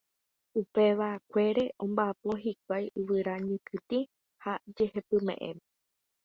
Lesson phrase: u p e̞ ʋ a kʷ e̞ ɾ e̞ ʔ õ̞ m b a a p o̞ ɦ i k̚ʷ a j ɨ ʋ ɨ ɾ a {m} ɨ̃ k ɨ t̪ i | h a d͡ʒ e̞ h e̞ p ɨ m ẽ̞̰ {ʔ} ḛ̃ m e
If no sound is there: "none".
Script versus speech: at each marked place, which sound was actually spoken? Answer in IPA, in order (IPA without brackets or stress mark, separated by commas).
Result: ɲ, ʔ